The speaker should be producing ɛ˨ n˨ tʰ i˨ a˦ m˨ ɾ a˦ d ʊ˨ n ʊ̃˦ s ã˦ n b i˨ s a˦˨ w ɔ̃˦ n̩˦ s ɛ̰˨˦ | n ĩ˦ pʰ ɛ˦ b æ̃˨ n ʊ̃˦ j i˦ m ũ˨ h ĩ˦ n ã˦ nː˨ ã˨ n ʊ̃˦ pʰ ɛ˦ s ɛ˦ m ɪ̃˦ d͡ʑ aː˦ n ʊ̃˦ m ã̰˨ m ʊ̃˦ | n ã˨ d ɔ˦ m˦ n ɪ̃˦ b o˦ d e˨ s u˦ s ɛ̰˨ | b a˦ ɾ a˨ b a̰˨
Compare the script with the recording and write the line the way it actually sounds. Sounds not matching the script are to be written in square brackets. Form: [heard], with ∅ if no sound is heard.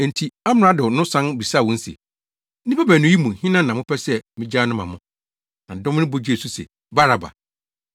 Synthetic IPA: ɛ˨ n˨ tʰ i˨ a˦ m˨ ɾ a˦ d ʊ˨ n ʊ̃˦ s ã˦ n b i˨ s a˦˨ w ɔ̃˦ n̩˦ s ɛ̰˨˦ | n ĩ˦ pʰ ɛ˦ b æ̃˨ n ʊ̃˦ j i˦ m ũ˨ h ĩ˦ n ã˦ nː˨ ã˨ [m] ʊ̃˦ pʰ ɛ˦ s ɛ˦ m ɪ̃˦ d͡ʑ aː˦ n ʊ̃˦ m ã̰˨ m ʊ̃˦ | n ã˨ d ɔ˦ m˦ n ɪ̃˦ b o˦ [d͡ʑ] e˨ s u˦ s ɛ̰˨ | b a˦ ɾ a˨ b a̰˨